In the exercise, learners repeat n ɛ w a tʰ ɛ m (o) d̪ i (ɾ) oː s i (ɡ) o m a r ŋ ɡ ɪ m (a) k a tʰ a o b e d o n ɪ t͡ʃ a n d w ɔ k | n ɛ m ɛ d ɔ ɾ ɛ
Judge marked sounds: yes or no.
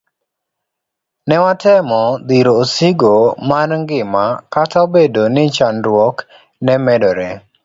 no, yes, yes, yes

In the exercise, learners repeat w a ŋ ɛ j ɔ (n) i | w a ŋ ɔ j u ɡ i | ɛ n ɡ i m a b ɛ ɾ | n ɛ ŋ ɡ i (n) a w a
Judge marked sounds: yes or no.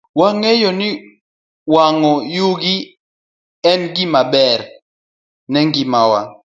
yes, no

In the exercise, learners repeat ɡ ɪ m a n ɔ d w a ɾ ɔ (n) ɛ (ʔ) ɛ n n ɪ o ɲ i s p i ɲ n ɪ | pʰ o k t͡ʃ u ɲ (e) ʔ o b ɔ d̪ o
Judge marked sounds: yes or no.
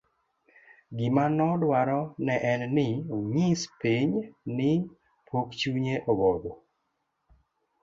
yes, yes, yes

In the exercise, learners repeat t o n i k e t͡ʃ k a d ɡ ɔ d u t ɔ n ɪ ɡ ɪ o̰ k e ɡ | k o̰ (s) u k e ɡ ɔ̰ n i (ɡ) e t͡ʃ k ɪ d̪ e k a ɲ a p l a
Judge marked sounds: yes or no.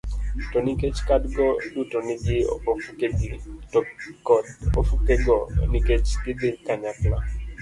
no, no

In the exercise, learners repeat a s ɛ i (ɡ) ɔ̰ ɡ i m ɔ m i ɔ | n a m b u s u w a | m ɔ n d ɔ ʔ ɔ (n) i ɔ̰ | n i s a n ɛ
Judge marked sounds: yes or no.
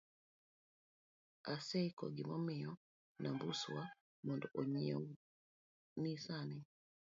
no, no

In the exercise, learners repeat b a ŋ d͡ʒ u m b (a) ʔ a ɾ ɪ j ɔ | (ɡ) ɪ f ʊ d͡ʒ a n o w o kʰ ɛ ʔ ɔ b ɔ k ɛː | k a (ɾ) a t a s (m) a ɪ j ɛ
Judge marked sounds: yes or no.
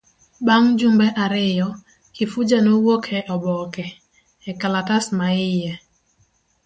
no, no, no, yes

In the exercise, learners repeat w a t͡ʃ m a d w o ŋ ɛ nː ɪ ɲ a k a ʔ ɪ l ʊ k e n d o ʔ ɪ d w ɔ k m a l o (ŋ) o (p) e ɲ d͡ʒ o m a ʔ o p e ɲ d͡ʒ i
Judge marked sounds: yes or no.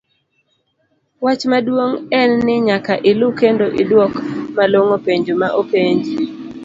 yes, yes

